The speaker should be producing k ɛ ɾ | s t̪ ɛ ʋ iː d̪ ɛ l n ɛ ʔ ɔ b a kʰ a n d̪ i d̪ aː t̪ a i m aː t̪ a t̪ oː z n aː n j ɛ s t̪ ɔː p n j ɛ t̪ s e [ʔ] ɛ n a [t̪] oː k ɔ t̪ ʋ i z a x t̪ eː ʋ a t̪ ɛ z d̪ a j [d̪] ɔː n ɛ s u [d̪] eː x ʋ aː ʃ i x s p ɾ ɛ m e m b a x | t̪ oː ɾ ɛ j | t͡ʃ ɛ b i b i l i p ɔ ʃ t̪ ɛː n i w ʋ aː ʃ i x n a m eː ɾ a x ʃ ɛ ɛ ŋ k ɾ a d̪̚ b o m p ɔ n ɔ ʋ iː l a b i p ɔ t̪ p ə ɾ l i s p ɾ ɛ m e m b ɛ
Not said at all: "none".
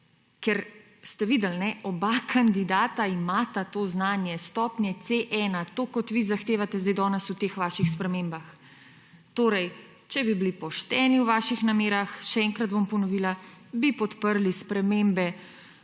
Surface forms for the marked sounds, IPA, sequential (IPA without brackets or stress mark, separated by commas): ʔ, t̪, d̪, t̪